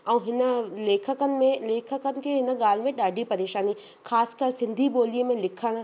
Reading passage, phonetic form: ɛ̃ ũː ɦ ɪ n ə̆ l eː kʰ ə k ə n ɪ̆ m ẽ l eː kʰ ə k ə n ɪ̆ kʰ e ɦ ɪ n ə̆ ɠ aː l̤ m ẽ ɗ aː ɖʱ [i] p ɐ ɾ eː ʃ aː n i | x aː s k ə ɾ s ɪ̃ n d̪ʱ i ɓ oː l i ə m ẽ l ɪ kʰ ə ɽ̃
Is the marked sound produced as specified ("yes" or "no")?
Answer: yes